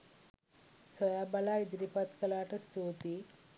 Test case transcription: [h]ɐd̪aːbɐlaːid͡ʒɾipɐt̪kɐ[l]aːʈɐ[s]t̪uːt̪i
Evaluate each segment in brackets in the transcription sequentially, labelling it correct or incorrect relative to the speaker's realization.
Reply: incorrect, correct, correct

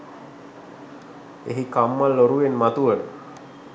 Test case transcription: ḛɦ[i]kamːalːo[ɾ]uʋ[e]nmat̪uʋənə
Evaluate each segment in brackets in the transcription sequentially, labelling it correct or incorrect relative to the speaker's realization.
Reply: correct, correct, correct

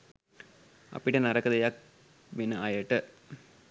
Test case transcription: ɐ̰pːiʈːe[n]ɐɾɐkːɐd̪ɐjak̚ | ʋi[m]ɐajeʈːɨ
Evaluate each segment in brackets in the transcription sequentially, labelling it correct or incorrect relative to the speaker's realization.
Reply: correct, incorrect

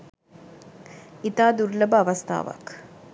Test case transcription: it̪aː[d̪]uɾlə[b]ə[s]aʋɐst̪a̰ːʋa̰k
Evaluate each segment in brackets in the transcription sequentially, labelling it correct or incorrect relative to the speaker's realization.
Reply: correct, correct, incorrect

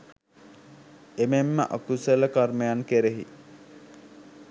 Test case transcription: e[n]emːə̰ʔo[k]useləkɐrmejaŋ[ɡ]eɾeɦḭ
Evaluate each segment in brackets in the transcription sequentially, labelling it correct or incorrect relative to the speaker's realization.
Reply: incorrect, correct, incorrect

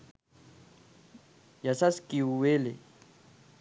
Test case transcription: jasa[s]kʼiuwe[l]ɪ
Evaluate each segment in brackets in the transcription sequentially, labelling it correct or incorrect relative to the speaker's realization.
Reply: correct, correct

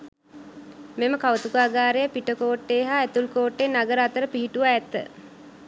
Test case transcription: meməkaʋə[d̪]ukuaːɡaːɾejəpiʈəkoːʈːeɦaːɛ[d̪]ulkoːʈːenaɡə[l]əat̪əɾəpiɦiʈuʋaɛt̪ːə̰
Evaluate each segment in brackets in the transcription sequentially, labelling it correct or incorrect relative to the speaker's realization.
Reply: incorrect, incorrect, incorrect

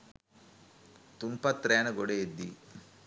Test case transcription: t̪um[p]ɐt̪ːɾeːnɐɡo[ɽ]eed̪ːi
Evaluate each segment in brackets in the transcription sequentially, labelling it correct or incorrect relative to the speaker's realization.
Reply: correct, correct

